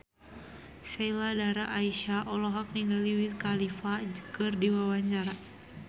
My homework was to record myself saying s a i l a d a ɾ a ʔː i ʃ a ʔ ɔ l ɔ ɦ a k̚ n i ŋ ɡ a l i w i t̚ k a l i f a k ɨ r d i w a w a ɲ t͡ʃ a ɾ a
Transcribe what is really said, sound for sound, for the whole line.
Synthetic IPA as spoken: s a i l a d a ɾ a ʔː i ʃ a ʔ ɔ l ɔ ɦ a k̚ n i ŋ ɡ a l i w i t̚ k a l i f a k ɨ r d i w a w a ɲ t͡ʃ a ɾ a